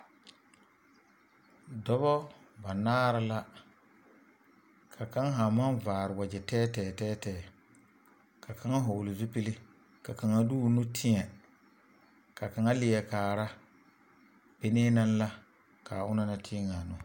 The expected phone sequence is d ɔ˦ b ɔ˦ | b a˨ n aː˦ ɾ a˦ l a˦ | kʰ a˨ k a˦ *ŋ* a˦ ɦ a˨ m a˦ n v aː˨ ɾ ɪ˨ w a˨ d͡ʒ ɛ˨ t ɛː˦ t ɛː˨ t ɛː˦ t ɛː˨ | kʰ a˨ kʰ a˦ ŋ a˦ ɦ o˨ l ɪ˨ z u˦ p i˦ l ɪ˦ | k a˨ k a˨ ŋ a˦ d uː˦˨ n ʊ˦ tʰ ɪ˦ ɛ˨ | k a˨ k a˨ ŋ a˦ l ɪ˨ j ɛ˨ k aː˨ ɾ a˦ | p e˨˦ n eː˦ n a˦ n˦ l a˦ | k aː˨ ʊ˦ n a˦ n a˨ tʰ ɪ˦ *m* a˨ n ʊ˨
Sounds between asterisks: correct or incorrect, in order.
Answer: correct, incorrect

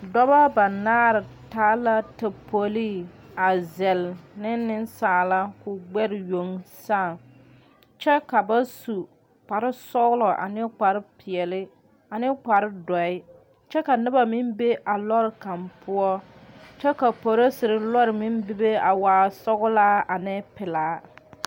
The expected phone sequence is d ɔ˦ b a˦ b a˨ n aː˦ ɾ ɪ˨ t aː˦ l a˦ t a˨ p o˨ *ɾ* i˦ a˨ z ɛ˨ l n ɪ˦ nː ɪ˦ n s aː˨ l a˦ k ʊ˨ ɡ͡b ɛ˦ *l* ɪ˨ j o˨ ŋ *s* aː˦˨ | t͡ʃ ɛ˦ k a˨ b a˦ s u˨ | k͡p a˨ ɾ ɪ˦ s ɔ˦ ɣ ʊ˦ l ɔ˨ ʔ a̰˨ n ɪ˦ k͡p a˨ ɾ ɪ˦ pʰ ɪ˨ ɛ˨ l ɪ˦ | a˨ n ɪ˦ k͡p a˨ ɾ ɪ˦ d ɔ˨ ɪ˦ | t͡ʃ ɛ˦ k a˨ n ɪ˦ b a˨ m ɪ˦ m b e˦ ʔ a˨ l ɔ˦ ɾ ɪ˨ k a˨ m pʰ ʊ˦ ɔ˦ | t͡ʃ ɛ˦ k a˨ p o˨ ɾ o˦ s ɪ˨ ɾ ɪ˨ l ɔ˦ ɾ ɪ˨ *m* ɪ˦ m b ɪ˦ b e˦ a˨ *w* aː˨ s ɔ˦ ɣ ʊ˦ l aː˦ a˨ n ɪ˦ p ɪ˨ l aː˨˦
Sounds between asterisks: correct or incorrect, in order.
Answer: incorrect, incorrect, correct, correct, correct

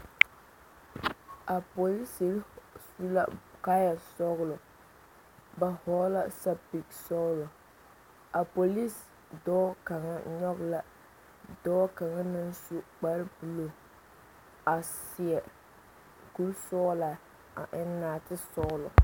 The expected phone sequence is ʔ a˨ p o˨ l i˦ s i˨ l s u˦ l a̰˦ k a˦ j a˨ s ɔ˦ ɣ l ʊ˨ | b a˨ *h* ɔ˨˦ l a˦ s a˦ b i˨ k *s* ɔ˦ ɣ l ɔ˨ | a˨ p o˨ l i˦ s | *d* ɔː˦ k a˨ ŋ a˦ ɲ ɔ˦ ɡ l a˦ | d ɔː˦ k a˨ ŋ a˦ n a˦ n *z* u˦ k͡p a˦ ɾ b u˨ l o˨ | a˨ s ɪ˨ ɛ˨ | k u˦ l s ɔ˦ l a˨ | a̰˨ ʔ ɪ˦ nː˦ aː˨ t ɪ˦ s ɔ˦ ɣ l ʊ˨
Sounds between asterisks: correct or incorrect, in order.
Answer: correct, correct, correct, incorrect

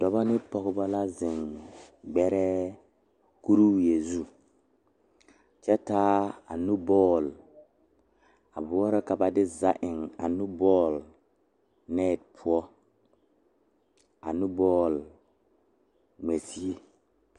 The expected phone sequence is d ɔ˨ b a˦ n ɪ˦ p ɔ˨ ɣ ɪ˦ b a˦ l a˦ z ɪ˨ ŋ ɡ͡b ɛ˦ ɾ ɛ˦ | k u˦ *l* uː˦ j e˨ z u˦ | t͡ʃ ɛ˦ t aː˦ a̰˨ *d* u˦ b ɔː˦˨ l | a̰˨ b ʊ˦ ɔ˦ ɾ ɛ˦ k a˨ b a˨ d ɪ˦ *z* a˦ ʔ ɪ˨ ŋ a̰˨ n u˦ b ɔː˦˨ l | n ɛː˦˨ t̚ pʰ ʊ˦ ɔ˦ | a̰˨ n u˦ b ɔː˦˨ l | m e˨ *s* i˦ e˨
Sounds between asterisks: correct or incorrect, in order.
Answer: incorrect, incorrect, correct, correct

